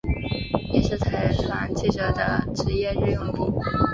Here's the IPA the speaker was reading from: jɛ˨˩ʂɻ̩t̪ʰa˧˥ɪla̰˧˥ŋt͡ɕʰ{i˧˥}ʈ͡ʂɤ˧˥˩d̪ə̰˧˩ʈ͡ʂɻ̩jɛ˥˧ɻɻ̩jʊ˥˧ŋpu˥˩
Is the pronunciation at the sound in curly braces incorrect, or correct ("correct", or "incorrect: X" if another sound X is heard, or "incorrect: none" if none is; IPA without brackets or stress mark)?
incorrect: i˥˩